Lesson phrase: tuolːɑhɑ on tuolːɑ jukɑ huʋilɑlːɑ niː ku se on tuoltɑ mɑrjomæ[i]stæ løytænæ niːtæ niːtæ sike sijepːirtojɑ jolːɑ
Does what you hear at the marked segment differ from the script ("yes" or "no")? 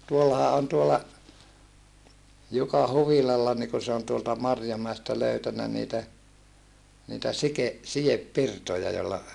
yes